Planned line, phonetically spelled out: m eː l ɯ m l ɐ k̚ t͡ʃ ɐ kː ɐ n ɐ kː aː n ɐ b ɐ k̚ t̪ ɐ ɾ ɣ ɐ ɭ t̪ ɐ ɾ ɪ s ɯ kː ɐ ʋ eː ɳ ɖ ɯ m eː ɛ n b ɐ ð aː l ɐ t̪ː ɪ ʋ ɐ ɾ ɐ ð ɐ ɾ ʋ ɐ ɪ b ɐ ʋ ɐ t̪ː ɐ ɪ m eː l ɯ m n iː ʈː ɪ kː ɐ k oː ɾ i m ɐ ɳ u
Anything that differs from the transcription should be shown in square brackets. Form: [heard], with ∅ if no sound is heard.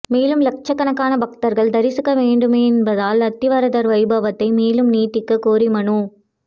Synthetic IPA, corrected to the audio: m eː l ɯ m l ɐ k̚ t͡ʃ ɐ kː ɐ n ɐ kː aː n ɐ b ɐ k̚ t̪ ɐ ɾ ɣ ɐ ɭ [d̪] ɐ ɾ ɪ s ɯ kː ɐ ʋ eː ɳ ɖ ɯ m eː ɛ n b ɐ ð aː l ɐ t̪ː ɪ ʋ ɐ ɾ ɐ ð ɐ ɾ ʋ ɐ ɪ b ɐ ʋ ɐ t̪ː ɐ ɪ m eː l ɯ m n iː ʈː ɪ kː ɐ k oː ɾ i m ɐ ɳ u